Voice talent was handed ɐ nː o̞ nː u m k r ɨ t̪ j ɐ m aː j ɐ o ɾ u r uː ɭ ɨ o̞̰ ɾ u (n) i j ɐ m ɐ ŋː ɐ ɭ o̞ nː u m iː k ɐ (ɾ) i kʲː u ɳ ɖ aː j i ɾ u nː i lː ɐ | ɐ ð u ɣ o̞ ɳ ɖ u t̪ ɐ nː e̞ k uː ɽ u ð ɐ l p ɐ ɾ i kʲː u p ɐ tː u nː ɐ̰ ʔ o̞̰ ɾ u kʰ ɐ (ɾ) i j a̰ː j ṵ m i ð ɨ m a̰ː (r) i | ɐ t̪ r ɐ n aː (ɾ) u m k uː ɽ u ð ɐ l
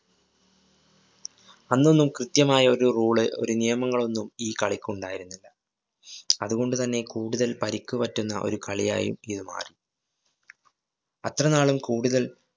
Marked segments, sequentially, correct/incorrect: correct, incorrect: ɭ, incorrect: ɭ, correct, incorrect: ɭ

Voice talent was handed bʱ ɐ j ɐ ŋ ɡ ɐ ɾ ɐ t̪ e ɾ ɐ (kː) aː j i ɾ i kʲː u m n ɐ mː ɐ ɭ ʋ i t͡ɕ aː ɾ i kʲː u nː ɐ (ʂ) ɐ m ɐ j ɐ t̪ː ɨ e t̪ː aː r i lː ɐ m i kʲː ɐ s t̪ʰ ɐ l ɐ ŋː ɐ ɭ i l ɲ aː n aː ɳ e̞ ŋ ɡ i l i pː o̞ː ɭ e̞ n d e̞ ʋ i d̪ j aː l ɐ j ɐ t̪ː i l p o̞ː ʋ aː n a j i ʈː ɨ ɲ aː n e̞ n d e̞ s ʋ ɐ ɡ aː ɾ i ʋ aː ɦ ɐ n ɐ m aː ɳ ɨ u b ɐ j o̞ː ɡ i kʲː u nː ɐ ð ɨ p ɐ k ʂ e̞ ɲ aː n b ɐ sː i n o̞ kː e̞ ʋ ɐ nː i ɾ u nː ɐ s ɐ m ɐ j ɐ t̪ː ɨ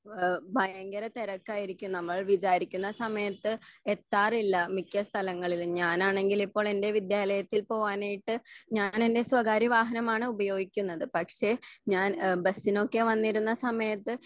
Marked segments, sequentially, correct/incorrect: correct, incorrect: s

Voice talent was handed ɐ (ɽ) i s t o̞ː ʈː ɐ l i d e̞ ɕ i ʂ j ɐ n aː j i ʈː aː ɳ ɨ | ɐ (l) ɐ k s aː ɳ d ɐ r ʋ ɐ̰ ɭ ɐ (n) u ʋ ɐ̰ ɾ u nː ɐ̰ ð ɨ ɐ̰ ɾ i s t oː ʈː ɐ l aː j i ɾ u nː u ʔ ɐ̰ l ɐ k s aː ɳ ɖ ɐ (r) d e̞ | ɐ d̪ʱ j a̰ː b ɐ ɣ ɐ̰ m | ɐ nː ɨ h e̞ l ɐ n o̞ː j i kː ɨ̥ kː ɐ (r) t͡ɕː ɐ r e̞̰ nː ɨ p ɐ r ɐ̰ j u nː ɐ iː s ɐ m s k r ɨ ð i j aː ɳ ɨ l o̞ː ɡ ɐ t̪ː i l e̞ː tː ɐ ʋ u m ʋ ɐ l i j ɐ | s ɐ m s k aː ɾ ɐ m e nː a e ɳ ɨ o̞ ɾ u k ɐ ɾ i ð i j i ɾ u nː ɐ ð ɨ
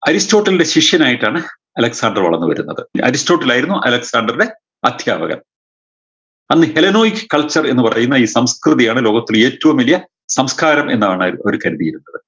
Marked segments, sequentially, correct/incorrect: incorrect: ɾ, correct, incorrect: nː, correct, incorrect: ɭ

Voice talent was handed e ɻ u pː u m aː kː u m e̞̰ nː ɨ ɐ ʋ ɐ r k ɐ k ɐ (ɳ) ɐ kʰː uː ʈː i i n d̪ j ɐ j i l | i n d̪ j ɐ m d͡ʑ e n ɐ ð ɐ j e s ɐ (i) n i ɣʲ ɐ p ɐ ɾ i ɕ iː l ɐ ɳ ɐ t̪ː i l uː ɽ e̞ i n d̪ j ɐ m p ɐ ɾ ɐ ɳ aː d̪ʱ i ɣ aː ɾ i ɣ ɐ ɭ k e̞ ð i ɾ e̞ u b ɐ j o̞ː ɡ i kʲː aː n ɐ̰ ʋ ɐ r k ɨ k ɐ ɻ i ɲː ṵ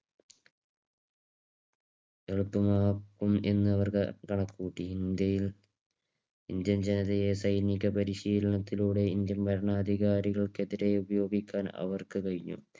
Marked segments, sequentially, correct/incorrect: correct, incorrect: j

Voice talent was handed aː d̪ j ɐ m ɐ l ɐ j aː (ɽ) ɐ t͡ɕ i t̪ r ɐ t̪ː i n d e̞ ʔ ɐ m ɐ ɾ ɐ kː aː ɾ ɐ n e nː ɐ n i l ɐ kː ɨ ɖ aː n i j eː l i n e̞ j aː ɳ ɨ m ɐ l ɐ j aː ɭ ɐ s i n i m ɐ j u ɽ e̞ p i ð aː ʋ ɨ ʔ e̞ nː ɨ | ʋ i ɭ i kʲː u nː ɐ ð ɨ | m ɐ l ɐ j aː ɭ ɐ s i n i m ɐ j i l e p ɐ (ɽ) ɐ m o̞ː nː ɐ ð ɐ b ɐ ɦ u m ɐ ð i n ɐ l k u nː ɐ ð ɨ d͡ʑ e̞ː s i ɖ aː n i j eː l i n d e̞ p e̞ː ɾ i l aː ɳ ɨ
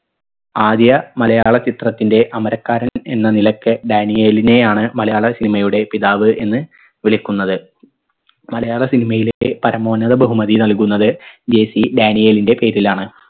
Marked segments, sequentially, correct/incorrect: incorrect: ɭ, incorrect: ɾ

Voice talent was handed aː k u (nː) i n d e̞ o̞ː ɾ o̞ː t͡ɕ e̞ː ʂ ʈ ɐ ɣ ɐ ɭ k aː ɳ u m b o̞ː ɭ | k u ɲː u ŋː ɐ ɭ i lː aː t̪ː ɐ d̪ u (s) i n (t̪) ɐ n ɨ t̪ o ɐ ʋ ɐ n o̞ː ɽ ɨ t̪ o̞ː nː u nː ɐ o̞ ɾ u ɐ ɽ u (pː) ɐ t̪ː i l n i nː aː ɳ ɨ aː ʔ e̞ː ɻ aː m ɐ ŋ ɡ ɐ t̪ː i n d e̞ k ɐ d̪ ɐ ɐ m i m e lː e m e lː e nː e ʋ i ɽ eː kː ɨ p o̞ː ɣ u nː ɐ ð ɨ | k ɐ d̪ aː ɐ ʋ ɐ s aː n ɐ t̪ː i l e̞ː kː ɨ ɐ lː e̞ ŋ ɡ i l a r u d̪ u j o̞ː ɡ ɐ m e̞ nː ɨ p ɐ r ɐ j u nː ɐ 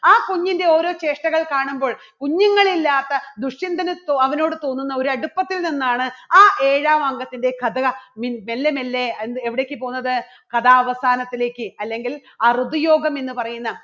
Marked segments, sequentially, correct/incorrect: incorrect: ɲː, incorrect: ʂ, incorrect: d̪, correct

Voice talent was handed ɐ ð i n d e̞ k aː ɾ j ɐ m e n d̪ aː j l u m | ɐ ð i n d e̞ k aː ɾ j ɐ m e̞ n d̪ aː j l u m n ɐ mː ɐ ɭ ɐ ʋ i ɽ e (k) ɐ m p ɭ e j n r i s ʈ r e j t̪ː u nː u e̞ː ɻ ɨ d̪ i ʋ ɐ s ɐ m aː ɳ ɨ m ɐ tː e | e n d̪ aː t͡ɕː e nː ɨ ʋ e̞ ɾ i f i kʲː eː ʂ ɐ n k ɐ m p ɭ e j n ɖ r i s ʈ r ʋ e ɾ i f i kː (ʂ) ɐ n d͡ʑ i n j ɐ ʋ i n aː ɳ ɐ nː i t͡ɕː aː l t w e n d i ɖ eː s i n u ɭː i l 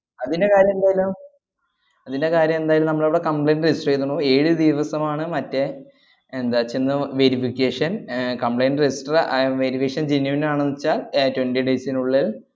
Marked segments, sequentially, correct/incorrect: correct, correct

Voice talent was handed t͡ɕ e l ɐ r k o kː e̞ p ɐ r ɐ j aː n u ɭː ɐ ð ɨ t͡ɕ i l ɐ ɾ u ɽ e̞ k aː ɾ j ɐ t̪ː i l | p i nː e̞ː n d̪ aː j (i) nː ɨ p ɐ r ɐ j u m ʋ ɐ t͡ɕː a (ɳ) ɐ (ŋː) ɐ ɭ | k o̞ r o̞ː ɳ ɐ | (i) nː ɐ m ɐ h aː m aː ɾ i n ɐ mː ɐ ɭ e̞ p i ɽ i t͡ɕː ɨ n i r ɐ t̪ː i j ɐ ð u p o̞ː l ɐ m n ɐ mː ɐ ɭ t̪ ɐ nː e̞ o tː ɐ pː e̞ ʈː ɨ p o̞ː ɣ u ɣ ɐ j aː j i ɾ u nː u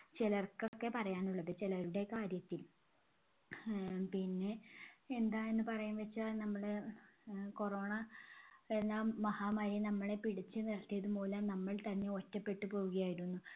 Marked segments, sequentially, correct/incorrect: incorrect: e, incorrect: n, incorrect: mː, incorrect: e

